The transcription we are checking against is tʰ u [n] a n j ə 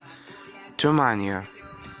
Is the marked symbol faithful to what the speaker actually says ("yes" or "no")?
no